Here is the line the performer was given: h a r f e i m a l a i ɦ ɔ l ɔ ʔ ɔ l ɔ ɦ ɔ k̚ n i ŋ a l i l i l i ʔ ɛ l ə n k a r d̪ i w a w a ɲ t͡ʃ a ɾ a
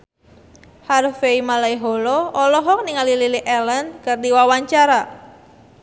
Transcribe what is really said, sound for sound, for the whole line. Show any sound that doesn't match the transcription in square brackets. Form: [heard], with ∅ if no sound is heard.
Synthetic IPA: h a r f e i m a l a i ɦ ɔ l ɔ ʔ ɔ l ɔ ɦ ɔ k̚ n i ŋ a l i l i l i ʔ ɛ l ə n k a r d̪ i w a w a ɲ t͡ʃ a ɾ a

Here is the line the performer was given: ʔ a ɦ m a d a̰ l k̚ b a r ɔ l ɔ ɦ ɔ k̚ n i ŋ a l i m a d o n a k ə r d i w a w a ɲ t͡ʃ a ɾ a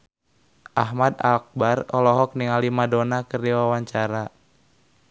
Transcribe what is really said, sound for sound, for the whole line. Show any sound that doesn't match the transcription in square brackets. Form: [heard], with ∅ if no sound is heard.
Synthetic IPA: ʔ a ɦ m a d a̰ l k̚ b a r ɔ l ɔ ɦ ɔ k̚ n i ŋ a l i m a d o n a k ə r d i w a w a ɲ t͡ʃ a ɾ a

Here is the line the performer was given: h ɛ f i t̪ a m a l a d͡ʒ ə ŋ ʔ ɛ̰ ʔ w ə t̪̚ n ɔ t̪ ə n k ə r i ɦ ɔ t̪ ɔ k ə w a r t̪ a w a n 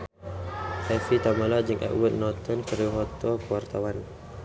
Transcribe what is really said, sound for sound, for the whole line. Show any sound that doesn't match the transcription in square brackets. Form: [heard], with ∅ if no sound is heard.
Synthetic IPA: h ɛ f i t̪ a m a l a d͡ʒ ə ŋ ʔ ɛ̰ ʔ w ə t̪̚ n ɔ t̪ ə n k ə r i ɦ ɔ t̪ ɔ k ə w a r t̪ a w a n

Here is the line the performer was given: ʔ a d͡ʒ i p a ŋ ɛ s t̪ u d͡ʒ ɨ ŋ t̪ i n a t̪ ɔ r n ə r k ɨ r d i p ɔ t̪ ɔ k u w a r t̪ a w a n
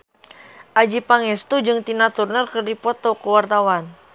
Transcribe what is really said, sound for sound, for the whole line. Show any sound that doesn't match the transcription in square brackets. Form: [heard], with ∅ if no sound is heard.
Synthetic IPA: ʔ a d͡ʒ i p a ŋ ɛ s t̪ u d͡ʒ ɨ ŋ t̪ i n a t̪ [u] r n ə r k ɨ r d i p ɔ t̪ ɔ k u w a r t̪ a w a n

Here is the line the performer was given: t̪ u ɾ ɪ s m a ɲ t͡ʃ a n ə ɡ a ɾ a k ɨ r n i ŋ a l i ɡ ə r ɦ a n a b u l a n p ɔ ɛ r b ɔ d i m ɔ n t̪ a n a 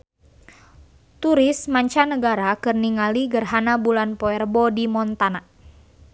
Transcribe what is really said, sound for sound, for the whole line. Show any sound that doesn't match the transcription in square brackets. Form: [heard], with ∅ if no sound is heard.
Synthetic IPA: t̪ u ɾ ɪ s m a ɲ t͡ʃ a n ə ɡ a ɾ a k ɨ r n i ŋ a l i ɡ ə r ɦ a n a b u l a n p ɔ ɛ r b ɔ d i m ɔ n t̪ a n a

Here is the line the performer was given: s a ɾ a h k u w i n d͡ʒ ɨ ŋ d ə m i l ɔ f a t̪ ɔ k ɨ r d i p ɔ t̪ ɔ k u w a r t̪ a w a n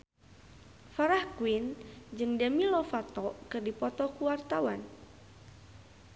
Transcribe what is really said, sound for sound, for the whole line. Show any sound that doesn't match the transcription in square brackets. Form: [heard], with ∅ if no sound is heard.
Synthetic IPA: [f] a ɾ a h k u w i n d͡ʒ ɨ ŋ d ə m i l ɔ f a t̪ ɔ k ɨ r d i p ɔ t̪ ɔ k u w a r t̪ a w a n

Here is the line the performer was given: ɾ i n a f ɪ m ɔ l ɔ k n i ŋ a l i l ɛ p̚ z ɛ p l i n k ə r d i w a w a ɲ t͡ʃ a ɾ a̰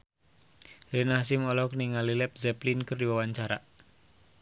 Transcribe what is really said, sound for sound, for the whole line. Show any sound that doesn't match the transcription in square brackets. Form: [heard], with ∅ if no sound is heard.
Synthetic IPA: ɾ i n a [s] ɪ m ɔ l ɔ k n i ŋ a l i l ɛ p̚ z ɛ p l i n k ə r d i w a w a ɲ t͡ʃ a ɾ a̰

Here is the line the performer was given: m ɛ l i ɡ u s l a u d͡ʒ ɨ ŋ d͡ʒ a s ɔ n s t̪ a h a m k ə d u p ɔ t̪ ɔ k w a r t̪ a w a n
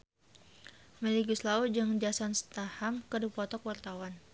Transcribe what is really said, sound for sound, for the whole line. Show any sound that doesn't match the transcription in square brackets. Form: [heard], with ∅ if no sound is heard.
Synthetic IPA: m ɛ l i ɡ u s l a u d͡ʒ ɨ ŋ d͡ʒ a s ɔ n s t̪ a h a m k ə d u p ɔ t̪ ɔ k w a r t̪ a w a n

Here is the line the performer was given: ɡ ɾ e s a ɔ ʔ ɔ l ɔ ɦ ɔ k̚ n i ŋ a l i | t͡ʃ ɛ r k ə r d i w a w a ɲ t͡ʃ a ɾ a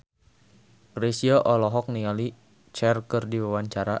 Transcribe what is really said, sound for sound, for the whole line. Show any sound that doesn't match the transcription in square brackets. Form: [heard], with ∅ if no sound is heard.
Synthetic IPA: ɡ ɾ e s [i] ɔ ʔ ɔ l ɔ ɦ ɔ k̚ n i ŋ a l i | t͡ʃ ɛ r k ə r d i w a w a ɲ t͡ʃ a ɾ a

